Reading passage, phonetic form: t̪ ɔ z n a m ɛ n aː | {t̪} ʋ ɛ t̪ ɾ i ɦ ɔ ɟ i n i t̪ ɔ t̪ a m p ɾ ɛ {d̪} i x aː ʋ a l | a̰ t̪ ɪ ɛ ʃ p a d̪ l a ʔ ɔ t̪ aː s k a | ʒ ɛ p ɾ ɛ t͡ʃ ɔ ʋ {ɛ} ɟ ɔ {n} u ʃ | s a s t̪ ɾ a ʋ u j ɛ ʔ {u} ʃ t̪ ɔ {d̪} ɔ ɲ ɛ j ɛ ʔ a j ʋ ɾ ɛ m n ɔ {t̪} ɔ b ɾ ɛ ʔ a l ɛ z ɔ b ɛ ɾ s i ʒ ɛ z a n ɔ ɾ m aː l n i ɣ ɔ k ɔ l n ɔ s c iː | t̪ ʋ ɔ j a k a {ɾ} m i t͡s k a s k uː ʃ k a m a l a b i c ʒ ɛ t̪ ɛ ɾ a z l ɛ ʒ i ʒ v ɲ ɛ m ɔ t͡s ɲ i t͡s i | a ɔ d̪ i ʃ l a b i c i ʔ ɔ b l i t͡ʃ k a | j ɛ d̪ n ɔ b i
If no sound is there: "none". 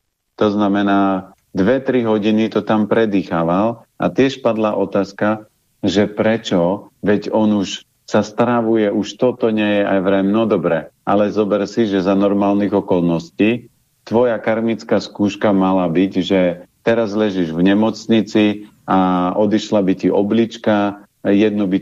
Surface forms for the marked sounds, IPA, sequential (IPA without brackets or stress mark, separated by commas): d̪, d̪, ɛ, n, u, t̪, d̪, ɾ